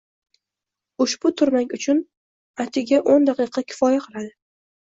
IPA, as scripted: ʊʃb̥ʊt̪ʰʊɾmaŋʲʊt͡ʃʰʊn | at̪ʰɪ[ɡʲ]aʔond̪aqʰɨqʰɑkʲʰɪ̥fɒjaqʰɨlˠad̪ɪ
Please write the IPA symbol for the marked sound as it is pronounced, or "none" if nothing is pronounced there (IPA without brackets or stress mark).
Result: ɡʲ